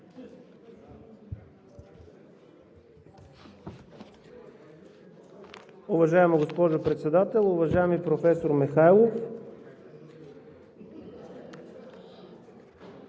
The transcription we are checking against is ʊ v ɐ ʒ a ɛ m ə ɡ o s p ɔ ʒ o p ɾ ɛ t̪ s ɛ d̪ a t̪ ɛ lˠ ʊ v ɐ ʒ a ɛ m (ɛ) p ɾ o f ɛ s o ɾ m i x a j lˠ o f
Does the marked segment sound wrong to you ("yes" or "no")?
yes